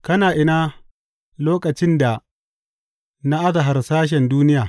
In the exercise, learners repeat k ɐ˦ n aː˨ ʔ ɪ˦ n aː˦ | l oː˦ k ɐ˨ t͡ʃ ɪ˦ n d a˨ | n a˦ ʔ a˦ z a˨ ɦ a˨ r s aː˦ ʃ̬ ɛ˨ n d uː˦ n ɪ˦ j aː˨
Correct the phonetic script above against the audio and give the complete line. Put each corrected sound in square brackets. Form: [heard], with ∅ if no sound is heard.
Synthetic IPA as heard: k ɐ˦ n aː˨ ʔ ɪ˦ n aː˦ | l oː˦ k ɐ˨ t͡ʃ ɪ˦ n d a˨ | n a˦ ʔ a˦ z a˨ ɦ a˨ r s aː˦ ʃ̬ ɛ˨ n d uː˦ n ɪ˦ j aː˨